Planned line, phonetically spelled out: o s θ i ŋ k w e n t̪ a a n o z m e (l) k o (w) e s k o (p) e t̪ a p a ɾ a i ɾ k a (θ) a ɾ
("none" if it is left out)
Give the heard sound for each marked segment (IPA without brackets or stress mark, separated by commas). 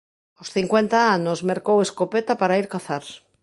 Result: ɾ, w, p, θ